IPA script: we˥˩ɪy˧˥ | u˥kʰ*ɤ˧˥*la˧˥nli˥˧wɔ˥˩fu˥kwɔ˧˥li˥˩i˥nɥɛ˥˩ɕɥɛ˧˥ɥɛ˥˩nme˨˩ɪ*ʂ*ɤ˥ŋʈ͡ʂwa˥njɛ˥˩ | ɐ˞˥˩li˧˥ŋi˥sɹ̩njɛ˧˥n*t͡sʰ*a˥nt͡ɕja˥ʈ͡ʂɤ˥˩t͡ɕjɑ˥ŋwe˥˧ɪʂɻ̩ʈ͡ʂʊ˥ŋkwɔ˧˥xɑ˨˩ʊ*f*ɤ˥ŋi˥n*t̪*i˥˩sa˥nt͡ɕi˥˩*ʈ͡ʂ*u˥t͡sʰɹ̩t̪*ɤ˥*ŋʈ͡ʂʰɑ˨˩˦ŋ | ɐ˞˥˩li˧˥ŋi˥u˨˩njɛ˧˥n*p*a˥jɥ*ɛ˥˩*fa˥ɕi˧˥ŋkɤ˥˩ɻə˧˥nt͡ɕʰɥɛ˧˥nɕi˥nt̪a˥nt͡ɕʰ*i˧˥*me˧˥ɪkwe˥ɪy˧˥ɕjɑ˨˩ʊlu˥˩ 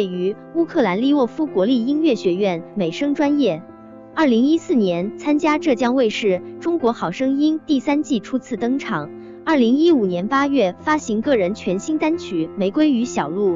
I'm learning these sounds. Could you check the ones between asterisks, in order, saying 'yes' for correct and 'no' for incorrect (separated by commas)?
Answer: no, yes, yes, no, yes, no, yes, yes, yes, no